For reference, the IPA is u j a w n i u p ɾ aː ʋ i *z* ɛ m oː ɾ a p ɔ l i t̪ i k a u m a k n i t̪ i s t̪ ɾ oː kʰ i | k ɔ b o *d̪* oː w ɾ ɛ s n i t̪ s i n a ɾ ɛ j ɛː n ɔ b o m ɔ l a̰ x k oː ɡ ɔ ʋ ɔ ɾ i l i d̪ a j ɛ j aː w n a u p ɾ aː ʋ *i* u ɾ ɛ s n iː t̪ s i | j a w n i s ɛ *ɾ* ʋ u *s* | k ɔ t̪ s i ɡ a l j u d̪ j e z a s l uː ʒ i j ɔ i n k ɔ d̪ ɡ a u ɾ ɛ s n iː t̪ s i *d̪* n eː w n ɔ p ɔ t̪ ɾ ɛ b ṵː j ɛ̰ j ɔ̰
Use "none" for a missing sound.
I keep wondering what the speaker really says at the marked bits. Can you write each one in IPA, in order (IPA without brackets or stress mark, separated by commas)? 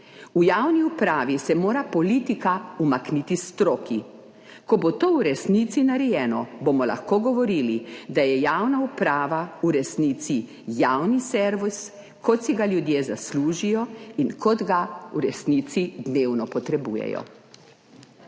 s, t̪, a, ɾ, s, d̪